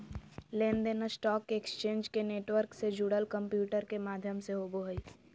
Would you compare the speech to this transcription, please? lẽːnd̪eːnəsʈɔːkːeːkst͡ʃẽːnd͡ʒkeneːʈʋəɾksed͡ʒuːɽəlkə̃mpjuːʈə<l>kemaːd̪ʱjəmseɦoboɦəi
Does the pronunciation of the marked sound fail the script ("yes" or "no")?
yes